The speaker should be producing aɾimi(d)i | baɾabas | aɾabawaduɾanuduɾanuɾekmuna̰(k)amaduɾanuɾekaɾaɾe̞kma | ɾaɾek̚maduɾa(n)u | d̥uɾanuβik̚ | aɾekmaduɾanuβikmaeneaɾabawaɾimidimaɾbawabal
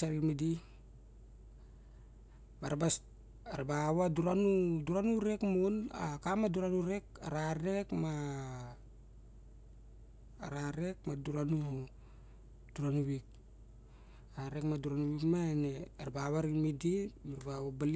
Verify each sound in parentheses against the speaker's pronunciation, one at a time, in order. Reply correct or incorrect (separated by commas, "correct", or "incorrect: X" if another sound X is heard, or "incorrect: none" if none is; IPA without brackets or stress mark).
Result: correct, correct, correct